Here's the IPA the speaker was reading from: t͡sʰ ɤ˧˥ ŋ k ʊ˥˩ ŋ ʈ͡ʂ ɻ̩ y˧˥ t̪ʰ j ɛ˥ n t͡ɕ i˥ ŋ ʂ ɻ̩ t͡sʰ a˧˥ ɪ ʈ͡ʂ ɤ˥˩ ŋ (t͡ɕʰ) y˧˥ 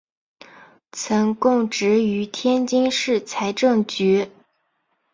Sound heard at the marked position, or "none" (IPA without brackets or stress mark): t͡ɕ